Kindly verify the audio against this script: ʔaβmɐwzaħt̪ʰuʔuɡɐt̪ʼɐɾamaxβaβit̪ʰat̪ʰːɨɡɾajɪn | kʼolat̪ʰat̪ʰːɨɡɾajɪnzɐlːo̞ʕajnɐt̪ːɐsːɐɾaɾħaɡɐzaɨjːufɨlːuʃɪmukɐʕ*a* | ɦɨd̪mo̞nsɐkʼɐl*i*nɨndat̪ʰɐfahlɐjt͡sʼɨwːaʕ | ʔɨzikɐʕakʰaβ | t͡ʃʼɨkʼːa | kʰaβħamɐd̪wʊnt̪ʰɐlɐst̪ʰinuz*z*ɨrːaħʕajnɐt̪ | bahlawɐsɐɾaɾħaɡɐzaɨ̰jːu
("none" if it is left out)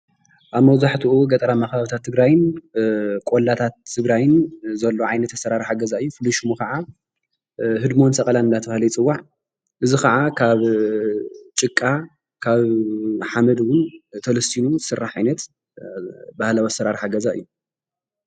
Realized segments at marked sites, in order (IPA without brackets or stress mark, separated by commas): a, a, s